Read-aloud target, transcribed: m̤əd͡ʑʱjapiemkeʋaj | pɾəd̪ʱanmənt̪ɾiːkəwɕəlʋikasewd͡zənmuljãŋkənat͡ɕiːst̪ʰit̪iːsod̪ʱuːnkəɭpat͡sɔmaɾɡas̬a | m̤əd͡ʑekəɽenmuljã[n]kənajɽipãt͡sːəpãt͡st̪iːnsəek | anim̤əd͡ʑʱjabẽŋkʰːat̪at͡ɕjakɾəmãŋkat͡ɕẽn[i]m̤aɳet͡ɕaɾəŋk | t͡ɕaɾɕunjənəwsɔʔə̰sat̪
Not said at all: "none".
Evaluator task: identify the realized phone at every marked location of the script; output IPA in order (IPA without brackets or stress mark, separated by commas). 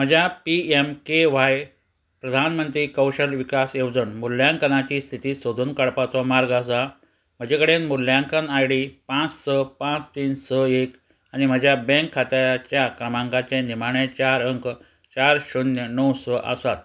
ŋ, i